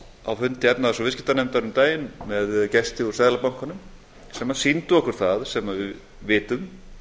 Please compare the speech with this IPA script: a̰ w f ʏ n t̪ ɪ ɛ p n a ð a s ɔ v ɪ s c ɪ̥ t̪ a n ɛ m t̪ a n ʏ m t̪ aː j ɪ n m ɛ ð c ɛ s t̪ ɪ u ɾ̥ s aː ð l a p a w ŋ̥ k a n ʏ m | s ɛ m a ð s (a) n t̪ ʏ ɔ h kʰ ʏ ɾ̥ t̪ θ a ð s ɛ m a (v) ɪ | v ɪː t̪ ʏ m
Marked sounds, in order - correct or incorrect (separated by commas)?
incorrect, correct